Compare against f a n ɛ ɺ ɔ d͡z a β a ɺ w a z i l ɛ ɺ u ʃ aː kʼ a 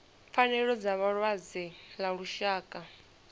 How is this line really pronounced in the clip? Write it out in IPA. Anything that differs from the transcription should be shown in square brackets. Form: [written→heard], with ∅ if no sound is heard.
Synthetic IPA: f a n ɛ ɺ ɔ d͡z a β a ɺ w a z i l [ɛ→a] ɺ u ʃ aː kʼ a